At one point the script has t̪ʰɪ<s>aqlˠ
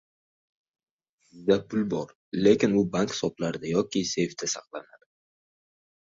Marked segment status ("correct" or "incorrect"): correct